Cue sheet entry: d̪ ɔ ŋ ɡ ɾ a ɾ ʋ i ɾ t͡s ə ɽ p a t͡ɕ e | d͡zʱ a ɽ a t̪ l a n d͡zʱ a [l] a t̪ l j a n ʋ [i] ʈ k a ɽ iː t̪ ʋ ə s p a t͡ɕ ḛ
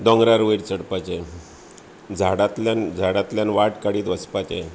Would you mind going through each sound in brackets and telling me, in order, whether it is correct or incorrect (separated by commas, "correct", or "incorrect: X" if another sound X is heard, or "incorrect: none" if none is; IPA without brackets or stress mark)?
incorrect: ɽ, incorrect: a